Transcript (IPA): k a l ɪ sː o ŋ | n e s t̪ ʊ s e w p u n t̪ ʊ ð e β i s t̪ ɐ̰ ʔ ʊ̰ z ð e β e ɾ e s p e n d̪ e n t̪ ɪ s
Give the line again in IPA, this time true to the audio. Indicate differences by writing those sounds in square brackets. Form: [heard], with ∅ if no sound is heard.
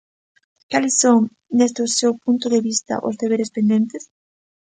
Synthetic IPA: k a l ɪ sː o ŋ | n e s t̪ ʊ s e w p u n t̪ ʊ ð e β i s t̪ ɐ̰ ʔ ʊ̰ z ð e β e ɾ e s p e n d̪ e n t̪ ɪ s